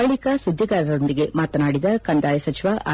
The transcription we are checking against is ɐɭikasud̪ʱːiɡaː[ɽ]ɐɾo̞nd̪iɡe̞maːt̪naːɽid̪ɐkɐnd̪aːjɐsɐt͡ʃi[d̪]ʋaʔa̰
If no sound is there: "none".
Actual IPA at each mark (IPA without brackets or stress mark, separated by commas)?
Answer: ɾ, none